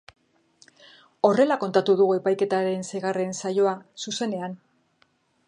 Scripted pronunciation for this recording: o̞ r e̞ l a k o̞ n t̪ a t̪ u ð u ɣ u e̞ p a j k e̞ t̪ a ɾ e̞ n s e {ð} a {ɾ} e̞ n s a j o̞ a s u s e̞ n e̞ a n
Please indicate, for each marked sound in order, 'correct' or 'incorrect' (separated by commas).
incorrect, incorrect